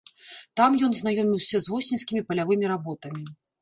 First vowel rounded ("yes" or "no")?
no